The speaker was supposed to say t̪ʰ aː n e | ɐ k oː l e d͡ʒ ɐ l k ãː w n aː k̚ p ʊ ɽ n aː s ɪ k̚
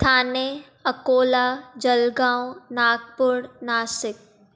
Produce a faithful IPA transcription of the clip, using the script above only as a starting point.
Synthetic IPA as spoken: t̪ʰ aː n e | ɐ k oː l a d͡ʒ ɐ l ɡ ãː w n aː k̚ p ʊ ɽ n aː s ɪ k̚